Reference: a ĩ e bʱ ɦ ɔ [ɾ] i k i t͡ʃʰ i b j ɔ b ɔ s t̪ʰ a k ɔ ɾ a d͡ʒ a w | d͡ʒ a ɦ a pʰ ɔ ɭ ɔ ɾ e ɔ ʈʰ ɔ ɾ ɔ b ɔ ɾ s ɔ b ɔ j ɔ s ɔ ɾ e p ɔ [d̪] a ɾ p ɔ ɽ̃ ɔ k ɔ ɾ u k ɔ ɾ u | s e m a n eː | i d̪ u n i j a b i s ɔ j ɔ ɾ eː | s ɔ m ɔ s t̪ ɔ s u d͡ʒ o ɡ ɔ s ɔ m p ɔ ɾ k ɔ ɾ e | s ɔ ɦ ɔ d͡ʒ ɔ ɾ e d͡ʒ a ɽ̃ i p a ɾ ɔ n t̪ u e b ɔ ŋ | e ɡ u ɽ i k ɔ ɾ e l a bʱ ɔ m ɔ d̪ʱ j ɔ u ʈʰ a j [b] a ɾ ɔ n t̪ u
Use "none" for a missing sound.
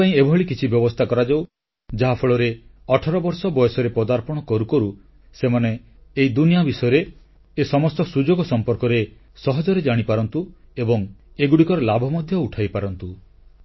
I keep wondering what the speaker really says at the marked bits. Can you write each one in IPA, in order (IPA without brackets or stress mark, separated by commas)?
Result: ɭ, d̪, p